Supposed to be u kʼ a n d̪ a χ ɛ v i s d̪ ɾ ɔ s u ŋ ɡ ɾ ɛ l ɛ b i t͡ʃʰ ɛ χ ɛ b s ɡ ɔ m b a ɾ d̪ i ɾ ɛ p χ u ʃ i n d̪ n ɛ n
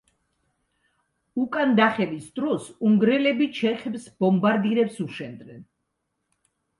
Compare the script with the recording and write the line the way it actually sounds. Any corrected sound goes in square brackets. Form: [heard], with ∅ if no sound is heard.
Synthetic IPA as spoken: u kʼ a n d̪ a χ ɛ v i s d̪ ɾ ɔ s u ŋ ɡ ɾ ɛ l ɛ b i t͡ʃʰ ɛ χ ɛ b s [b] ɔ m b a ɾ d̪ i ɾ ɛ p [s] u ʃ [ɛ] n d̪ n ɛ n